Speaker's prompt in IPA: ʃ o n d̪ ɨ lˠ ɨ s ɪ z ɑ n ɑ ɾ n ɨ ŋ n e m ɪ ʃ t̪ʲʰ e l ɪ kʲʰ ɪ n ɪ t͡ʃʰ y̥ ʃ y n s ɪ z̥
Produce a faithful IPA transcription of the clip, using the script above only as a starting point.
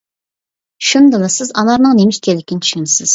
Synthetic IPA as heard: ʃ u n d̪ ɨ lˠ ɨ s ɪ z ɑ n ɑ ɾ n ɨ ŋ n e m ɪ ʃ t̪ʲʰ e l ɪ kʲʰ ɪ n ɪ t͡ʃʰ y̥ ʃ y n s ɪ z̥